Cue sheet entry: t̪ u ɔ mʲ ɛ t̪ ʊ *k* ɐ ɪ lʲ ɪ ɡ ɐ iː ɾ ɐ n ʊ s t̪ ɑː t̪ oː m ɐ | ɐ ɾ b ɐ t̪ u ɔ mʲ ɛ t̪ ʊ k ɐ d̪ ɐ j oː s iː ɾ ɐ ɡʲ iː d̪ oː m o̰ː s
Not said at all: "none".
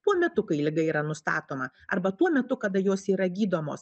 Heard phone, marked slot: k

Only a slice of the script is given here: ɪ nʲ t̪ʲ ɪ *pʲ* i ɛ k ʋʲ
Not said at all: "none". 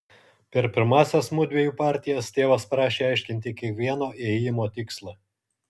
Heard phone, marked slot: kʲ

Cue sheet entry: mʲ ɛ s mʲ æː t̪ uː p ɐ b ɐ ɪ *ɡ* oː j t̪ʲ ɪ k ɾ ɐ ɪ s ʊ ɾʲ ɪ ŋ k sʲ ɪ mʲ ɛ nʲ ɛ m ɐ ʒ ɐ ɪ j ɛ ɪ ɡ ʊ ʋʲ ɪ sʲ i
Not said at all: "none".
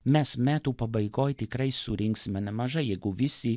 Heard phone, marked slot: ɡ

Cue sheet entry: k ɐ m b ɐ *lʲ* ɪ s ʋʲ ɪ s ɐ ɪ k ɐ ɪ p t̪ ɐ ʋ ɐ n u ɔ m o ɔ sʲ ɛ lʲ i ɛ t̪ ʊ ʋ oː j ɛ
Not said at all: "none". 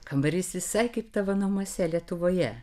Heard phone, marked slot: ɾʲ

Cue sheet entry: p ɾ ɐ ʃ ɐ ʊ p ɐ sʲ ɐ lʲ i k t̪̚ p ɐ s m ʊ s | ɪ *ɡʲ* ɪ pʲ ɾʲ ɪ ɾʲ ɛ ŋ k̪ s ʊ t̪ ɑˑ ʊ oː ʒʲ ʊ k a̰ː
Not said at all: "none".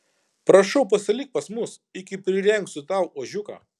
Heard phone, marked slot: kʲ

